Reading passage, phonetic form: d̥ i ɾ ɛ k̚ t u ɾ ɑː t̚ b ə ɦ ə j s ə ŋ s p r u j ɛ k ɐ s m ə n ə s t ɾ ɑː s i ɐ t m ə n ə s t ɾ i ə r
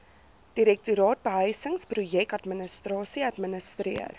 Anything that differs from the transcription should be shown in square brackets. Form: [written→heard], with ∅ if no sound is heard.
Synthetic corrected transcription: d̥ i ɾ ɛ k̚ t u ɾ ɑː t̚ b ə ɦ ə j s ə ŋ s p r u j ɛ k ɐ [s→t] m ə n ə s t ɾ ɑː s i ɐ t m ə n ə s t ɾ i ə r